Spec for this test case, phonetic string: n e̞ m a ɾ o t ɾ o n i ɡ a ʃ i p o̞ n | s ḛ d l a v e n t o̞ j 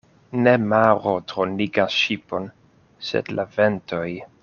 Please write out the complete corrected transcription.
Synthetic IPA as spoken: n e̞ m a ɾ o t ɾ o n i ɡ a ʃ i p o̞ n | s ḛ d l a v e n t o̞ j